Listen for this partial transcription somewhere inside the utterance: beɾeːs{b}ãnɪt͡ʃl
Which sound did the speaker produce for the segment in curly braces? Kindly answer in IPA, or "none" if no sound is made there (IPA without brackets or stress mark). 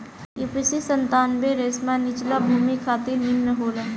m